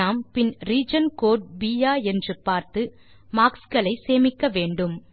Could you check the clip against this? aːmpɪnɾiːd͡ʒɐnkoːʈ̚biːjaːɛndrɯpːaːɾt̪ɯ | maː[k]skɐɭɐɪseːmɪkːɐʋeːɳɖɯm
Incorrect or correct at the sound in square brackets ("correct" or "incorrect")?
correct